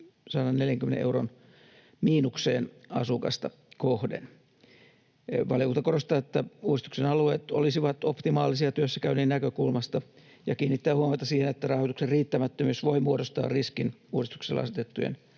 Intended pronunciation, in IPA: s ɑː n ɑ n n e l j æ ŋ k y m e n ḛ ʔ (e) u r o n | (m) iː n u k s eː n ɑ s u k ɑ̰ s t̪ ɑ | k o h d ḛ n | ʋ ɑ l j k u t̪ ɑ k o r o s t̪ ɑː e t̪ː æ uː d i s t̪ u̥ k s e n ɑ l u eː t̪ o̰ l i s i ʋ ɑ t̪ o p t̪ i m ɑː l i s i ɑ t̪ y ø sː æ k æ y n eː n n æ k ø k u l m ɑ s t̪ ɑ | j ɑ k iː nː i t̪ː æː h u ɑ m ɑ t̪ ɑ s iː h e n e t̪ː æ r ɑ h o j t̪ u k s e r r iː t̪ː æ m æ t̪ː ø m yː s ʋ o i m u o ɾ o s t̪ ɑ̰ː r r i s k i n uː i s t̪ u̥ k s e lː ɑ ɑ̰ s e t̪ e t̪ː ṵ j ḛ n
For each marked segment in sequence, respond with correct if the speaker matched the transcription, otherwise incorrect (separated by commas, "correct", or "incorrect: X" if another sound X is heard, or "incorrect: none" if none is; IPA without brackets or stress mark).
correct, correct